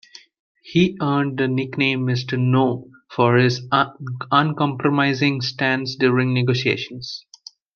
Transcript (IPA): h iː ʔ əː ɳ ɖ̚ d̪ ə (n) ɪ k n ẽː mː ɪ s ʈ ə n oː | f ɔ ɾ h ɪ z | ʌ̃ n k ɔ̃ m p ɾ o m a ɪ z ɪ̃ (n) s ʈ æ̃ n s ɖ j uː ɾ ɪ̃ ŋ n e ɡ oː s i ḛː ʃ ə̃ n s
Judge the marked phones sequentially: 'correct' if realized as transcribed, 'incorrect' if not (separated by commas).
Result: correct, incorrect